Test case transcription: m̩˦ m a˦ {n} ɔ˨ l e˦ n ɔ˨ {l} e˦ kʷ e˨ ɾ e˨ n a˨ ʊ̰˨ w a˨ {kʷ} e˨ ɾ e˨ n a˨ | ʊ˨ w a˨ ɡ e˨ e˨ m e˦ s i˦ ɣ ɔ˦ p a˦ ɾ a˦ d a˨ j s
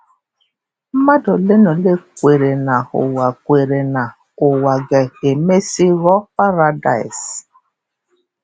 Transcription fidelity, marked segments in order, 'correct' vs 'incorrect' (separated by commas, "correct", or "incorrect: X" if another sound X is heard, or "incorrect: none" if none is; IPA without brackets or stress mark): incorrect: d, correct, correct